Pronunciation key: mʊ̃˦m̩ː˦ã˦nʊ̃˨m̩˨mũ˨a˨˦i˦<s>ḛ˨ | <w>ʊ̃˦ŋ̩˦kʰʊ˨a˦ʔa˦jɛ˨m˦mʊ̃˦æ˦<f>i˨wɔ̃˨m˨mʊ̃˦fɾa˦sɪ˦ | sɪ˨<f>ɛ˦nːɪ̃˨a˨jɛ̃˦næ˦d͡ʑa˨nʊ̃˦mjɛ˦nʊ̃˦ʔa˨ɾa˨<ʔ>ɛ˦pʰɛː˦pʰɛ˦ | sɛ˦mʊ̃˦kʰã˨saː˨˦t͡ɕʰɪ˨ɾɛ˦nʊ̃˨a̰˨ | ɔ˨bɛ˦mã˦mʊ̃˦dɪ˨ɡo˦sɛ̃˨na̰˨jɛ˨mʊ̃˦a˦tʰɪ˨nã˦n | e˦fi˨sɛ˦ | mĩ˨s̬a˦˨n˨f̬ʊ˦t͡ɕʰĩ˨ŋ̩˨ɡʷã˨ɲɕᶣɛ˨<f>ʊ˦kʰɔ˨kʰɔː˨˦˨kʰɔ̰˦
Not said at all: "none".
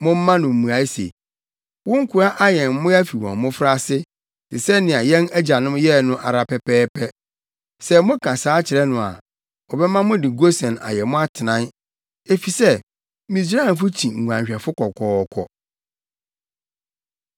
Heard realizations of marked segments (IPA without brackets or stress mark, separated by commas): s, w, f, s, p, f